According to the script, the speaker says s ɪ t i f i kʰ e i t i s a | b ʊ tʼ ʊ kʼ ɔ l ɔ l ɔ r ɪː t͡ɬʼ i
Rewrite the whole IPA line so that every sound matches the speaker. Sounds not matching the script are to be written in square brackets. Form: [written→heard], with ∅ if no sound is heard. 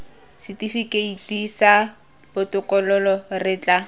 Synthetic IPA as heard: s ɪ t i f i [kʰ→k] e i t i s a | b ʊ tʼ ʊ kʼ ɔ l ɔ l ɔ r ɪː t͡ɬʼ [i→a]